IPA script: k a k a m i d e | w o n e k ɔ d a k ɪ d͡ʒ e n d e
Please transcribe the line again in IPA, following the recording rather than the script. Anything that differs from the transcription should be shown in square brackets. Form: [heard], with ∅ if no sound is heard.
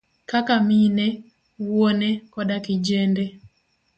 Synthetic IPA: k a k a m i [n] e | w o n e k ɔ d a k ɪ d͡ʒ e n d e